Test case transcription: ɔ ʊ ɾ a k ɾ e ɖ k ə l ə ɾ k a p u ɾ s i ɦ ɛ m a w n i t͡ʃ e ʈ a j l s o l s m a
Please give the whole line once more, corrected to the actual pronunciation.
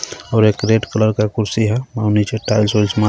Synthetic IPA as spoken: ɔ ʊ ɾ e k ɾ e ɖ k ə l ə ɾ k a k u ɾ s i ɦ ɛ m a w n i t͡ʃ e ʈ a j l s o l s m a